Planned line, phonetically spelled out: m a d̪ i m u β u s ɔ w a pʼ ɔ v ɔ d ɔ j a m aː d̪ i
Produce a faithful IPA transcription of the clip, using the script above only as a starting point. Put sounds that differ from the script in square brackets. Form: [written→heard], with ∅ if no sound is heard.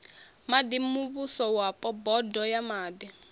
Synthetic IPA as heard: m a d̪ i m u β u s ɔ w a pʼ ɔ [v→b] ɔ d ɔ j a m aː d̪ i

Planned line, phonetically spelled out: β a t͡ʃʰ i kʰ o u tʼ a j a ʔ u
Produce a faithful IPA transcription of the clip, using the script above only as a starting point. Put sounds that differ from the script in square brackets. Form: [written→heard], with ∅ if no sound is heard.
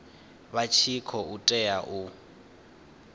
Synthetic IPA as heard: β a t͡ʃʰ i kʰ [o→ɔ] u tʼ [a→ɛ] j a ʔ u

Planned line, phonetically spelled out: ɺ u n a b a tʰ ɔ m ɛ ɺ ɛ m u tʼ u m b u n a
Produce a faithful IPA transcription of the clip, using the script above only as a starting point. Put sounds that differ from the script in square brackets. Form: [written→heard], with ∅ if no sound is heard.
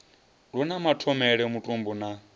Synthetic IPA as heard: ɺ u n a [b→m] a tʰ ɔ m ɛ ɺ ɛ m u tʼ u m b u n a

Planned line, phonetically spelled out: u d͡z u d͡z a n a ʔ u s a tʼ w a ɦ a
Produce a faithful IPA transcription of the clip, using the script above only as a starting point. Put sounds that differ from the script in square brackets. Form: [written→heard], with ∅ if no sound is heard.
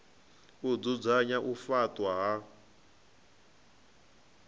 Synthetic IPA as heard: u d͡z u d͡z a [n→ɲ] a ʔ u [s→f] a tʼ w a ɦ a

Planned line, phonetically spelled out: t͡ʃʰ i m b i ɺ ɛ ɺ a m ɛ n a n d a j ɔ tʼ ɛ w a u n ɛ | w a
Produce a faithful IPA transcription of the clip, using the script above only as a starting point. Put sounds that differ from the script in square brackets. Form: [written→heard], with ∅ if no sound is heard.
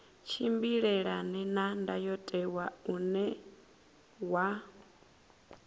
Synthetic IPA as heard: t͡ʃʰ i m b i ɺ ɛ ɺ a [m→n] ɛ n a n d a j ɔ tʼ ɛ w a u n ɛ | w a

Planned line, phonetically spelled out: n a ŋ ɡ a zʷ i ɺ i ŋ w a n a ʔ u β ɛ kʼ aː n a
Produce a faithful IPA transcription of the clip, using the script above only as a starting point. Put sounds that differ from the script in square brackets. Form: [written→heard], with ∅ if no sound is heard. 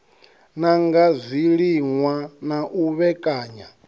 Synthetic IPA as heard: n a ŋ ɡ a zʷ i ɺ i ŋ w a n a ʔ u β ɛ kʼ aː [n→ɲ] a

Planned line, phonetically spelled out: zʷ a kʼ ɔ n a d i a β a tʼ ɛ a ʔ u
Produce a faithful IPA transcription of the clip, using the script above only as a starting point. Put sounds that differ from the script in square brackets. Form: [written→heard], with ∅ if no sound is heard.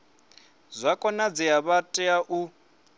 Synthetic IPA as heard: zʷ a kʼ ɔ n a [d→d͡z] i a β a tʼ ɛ a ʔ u

